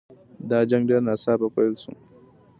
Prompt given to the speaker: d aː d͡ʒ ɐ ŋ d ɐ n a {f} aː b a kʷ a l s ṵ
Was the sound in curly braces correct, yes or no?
no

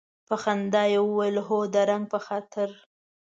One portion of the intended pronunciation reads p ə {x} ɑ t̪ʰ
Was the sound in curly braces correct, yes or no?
yes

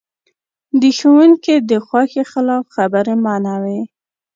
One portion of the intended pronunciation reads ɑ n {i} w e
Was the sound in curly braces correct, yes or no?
no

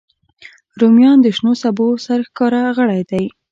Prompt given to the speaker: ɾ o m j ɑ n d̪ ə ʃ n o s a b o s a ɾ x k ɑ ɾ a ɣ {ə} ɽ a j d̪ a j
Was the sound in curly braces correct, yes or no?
yes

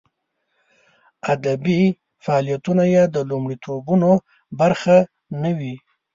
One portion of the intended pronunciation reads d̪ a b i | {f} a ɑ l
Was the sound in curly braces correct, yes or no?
yes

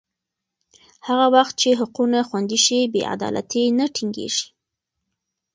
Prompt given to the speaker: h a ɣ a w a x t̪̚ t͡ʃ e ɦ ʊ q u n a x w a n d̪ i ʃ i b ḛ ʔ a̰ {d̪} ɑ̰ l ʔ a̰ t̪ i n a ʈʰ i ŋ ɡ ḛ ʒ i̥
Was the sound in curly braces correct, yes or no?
yes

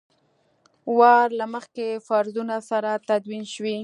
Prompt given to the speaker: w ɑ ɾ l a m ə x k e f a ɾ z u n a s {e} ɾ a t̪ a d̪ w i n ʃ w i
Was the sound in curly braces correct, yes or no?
no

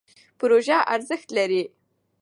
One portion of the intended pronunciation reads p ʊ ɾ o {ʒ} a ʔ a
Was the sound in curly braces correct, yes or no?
yes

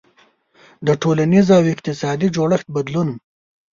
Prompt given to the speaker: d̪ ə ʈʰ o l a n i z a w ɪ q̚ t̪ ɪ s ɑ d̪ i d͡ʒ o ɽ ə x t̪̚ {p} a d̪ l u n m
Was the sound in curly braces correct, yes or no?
no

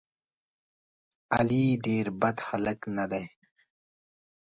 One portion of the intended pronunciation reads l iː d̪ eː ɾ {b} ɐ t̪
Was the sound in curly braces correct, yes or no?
yes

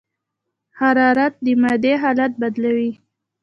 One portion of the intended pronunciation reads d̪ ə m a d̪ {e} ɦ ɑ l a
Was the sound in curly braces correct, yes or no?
yes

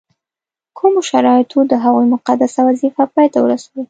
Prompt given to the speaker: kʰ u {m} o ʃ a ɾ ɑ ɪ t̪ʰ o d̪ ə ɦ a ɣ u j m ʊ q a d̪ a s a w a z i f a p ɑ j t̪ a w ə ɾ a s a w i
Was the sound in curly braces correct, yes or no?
yes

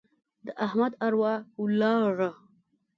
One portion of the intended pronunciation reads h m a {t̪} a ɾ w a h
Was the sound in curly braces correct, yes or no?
no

